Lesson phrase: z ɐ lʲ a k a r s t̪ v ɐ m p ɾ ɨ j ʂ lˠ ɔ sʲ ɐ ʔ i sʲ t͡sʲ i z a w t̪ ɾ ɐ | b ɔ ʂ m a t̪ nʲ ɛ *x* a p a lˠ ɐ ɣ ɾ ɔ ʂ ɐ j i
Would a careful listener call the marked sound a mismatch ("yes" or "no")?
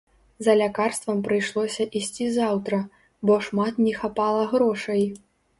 no